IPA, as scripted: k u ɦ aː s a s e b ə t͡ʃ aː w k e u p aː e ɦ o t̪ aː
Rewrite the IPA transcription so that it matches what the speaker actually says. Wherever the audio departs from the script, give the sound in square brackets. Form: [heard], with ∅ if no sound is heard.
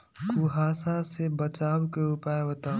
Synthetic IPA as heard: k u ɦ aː s a s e b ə t͡ʃ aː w k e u p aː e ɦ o t̪ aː